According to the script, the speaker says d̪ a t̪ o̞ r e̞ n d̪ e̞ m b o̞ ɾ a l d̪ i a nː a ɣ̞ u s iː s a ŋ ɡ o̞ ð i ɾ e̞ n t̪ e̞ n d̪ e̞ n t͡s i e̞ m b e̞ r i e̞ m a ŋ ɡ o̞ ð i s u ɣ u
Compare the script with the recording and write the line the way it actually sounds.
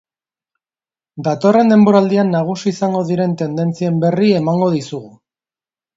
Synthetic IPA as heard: d̪ a t̪ o̞ r e̞ n d̪ e̞ m b o̞ ɾ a l d̪ i a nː a ɣ̞ u s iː s a ŋ ɡ o̞ ð i ɾ e̞ n t̪ e̞ n d̪ e̞ n t͡s i e̞ m b e̞ r i e̞ m a ŋ ɡ o̞ ð i s u ɣ u